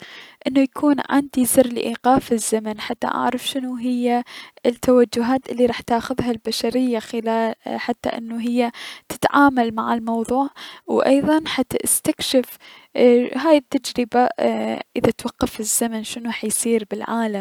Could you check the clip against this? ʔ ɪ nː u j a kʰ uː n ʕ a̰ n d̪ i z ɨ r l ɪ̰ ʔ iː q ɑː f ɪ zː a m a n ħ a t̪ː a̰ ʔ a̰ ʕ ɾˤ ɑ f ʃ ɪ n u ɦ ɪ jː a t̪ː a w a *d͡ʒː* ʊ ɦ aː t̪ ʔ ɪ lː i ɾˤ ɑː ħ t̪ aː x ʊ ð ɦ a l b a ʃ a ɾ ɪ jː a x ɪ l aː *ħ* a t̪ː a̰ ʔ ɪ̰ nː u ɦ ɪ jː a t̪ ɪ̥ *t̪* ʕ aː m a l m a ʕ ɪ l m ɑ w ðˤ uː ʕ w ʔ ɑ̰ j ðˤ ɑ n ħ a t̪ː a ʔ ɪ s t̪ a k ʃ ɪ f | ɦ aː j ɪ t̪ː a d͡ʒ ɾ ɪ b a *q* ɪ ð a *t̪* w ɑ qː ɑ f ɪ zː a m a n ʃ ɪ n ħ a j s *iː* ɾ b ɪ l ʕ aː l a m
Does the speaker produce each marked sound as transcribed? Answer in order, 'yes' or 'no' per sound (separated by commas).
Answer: yes, yes, yes, no, yes, yes